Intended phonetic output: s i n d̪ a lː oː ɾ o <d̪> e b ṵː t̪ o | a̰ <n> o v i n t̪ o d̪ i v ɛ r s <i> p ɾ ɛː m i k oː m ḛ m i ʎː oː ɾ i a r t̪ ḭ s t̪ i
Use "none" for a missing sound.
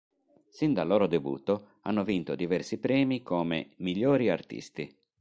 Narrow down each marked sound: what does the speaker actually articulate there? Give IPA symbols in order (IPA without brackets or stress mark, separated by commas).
d̪, nː, i